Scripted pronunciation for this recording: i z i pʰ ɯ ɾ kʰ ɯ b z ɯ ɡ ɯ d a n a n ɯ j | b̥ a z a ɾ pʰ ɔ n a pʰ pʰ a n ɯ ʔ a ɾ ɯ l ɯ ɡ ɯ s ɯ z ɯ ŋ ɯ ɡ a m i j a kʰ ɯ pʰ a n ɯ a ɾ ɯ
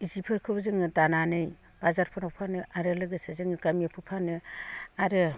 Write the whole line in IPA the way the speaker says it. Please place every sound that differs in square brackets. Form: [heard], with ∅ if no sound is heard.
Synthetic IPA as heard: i z i pʰ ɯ ɾ kʰ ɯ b z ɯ [ŋ] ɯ d a n a n ɯ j | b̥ a z a ɾ pʰ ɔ n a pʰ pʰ a n ɯ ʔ a ɾ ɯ l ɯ ɡ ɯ s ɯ z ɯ ŋ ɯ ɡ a m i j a [pʰ] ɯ pʰ a n ɯ a ɾ ɯ